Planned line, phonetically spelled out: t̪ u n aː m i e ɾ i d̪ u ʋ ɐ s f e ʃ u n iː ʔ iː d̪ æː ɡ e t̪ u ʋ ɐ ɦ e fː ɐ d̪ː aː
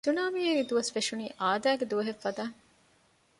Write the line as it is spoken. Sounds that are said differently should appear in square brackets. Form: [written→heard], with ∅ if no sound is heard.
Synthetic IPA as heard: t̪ u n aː m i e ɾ i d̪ u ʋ ɐ s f e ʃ u n iː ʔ [iː→aː] d̪ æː ɡ e [t̪→d̪] u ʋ ɐ ɦ e fː ɐ [d̪ː→d̪] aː